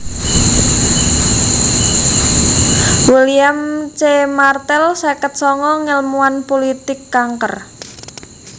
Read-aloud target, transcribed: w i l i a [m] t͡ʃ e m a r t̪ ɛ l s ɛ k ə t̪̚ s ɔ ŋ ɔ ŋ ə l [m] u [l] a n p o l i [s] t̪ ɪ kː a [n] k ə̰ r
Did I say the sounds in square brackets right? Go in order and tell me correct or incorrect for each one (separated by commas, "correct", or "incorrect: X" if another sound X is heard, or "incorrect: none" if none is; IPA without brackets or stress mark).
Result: correct, correct, incorrect: none, incorrect: none, incorrect: ŋ